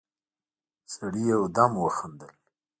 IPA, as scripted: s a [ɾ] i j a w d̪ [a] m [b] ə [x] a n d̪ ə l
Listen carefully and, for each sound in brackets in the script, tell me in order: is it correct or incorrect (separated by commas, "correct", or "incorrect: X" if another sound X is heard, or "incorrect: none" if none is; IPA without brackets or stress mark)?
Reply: incorrect: ɽ, correct, incorrect: w, correct